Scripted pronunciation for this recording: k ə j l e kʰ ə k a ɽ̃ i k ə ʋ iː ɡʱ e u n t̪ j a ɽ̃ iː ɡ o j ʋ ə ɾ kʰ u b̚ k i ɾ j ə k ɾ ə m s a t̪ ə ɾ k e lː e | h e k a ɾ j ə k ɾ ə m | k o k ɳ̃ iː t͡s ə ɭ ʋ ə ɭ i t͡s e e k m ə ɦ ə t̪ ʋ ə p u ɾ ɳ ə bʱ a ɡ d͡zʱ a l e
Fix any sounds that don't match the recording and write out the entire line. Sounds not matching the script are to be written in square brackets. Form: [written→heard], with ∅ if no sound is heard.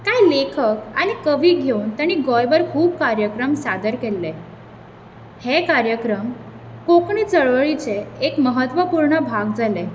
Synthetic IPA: k [ə→a] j l e kʰ ə k a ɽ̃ i k ə ʋ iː ɡʱ e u n t̪ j a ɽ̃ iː ɡ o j ʋ ə ɾ kʰ [u→uː] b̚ k [i→a] ɾ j ə k ɾ ə m s a [t̪→d̪] ə ɾ k e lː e | h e k a ɾ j ə k ɾ ə m | k o k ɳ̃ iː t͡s ə ɭ ʋ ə ɭ i t͡s e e k m ə ɦ ə t̪ ʋ ə p u ɾ ɳ ə bʱ a ɡ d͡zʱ a l e